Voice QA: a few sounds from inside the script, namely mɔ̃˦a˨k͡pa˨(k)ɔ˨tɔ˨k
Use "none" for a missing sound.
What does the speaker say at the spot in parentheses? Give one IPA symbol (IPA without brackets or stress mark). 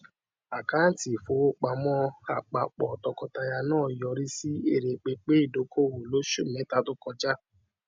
k͡p